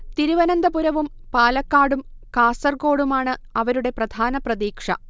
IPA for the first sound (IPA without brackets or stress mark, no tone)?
t̪